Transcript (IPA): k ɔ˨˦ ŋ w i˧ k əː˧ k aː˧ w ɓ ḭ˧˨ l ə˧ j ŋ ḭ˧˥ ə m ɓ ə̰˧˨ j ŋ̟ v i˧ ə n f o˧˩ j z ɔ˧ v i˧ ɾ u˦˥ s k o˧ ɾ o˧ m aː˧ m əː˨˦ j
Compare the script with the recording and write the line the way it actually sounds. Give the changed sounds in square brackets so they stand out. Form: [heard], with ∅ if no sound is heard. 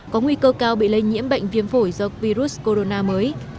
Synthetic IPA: k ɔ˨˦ ŋ w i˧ k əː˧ k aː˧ w ɓ ḭ˧˨ l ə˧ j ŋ ḭ˧˥ ə m ɓ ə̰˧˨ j ŋ̟ v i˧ ə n f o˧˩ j z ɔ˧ v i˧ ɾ u˦˥ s k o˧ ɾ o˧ [n] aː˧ m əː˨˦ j